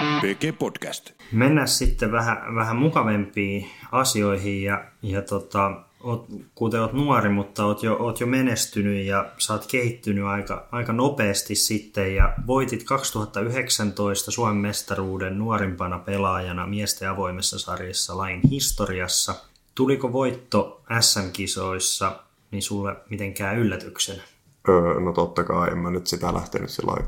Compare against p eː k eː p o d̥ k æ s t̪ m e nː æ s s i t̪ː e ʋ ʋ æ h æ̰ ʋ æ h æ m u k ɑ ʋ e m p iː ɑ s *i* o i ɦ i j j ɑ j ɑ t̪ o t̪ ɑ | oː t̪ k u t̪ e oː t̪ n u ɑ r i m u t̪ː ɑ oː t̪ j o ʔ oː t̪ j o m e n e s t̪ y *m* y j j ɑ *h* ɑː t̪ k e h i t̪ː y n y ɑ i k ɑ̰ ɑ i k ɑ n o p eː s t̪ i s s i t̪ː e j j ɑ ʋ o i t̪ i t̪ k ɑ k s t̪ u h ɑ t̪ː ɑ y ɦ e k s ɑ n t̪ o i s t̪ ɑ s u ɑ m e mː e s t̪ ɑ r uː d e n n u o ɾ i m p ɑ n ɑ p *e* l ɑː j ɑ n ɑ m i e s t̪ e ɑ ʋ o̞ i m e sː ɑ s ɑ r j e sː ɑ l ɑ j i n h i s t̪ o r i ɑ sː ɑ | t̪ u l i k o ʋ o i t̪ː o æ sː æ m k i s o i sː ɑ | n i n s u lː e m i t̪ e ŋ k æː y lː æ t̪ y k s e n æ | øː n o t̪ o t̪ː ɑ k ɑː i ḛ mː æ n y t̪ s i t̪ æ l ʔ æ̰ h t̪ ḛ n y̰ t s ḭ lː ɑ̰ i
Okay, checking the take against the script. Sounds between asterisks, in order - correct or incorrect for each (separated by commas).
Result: correct, incorrect, incorrect, correct